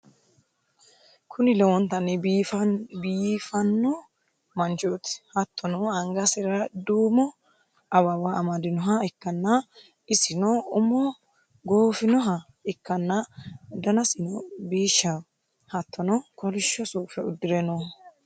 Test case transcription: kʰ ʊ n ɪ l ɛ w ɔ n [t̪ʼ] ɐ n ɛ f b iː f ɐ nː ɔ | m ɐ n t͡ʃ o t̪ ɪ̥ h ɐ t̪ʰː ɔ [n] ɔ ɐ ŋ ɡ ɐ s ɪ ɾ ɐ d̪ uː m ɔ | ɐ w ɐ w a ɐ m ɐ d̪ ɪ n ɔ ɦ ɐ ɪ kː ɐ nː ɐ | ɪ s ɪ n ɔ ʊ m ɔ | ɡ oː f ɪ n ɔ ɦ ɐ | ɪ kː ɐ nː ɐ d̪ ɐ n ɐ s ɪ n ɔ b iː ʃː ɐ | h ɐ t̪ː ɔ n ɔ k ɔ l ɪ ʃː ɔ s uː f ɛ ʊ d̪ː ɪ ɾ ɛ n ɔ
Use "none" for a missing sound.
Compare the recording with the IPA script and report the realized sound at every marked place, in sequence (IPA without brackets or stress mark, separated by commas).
t̪, n